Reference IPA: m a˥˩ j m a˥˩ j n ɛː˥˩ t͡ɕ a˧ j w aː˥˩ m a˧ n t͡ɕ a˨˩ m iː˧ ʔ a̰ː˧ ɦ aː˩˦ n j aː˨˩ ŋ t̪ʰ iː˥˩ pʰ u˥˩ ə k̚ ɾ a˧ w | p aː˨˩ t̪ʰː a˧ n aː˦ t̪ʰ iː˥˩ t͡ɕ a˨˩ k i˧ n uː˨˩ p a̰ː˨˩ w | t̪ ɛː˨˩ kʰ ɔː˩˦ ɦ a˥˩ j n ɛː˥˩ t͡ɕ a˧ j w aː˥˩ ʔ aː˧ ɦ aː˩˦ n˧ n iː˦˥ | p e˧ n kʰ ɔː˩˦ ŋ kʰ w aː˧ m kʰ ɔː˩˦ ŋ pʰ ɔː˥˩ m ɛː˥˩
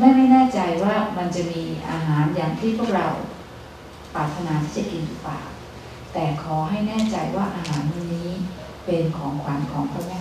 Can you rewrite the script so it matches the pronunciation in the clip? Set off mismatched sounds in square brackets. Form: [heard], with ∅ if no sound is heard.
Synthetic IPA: m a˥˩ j m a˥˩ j n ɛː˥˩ t͡ɕ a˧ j w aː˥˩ m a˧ n t͡ɕ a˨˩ m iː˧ ʔ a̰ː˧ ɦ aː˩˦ n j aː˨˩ ŋ t̪ʰ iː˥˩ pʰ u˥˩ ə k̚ ɾ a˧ w | p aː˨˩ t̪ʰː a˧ n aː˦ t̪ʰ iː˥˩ t͡ɕ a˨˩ k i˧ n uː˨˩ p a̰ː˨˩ w | t̪ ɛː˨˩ kʰ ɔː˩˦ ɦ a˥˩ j n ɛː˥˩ t͡ɕ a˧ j w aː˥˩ ʔ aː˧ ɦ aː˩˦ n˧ n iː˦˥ | p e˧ n kʰ ɔː˩˦ ŋ kʰ w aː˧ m kʰ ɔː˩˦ ŋ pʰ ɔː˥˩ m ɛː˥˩